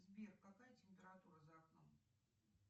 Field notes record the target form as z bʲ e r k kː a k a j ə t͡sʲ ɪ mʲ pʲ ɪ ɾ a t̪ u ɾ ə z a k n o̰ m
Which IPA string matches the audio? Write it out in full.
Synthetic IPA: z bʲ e r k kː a k a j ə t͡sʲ ɪ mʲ pʲ ɪ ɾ a t̪ u ɾ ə z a k n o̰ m